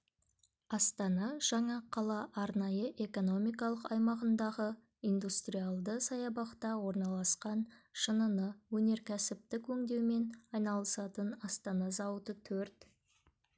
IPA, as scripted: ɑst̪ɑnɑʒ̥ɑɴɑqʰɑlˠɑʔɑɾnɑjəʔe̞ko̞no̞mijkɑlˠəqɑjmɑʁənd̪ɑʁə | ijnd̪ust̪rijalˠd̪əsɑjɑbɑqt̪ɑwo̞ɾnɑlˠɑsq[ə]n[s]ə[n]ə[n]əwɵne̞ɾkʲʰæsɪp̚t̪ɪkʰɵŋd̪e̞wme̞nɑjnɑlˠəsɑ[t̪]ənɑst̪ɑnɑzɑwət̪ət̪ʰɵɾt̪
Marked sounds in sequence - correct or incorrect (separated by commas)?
incorrect, incorrect, correct, correct, correct